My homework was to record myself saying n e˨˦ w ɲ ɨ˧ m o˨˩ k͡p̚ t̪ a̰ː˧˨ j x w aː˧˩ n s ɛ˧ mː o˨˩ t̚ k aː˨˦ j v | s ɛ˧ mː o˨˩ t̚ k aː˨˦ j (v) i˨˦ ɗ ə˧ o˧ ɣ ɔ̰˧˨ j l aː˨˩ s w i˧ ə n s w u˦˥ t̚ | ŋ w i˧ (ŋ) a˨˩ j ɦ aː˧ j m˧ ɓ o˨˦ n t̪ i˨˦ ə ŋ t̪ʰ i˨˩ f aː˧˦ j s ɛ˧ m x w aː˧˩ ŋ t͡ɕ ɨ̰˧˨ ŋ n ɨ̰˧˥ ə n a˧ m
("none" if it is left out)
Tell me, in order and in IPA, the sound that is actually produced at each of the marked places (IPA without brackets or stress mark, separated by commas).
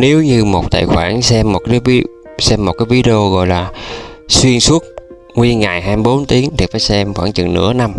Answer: v, ŋ